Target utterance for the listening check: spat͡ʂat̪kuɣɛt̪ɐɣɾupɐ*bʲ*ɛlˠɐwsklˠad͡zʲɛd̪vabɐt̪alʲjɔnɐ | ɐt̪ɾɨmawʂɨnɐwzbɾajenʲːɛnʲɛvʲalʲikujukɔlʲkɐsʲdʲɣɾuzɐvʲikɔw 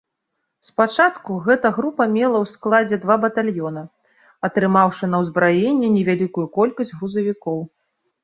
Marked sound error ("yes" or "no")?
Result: yes